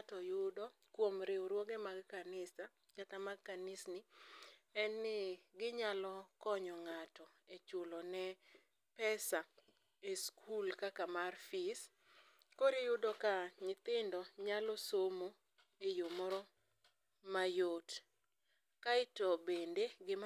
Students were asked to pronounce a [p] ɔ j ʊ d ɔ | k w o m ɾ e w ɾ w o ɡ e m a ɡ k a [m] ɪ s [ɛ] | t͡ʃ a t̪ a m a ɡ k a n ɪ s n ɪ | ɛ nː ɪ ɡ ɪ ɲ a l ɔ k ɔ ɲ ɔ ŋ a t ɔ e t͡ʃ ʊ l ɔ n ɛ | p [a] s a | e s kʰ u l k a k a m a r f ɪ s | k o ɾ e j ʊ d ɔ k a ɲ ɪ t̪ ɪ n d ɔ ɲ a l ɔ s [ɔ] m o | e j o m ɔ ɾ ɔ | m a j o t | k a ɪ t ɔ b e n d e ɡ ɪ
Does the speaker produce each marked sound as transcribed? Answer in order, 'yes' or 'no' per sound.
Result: no, no, no, no, no

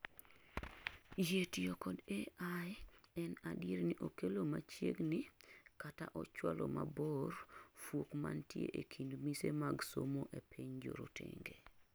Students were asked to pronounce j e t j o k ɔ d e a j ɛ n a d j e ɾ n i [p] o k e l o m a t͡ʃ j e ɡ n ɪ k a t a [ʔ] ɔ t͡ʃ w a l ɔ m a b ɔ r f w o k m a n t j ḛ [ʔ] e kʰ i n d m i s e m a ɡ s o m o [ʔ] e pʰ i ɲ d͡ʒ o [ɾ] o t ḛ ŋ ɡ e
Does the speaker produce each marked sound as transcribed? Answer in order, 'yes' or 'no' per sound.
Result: no, yes, yes, yes, yes

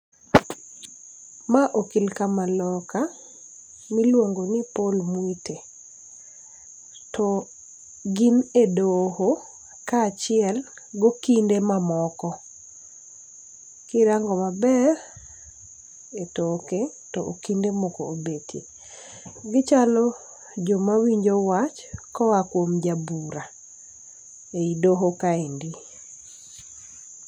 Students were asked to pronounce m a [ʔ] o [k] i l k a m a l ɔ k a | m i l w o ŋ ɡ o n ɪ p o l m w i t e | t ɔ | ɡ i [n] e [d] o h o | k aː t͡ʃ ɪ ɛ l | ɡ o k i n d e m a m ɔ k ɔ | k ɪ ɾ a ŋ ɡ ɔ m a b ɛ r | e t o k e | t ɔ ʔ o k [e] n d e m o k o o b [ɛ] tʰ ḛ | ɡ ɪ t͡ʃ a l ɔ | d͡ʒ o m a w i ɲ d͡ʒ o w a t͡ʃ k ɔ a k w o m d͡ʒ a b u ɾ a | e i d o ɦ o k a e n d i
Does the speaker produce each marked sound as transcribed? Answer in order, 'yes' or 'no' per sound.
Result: yes, yes, yes, yes, no, no

